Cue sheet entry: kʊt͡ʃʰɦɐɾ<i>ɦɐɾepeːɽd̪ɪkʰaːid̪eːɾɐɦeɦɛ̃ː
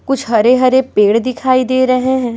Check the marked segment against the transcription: incorrect: e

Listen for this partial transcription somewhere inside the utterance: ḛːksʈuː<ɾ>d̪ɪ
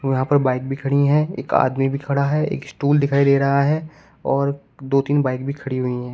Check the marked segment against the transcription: incorrect: l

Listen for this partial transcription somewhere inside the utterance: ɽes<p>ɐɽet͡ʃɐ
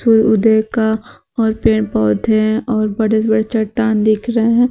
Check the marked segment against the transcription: incorrect: b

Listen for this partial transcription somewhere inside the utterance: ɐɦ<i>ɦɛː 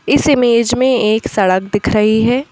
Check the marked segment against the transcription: correct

